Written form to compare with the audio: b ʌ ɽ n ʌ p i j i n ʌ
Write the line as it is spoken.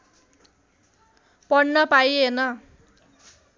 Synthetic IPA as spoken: p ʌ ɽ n ʌ p a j e n ʌ